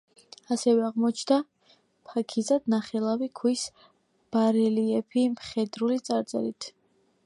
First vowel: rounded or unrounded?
unrounded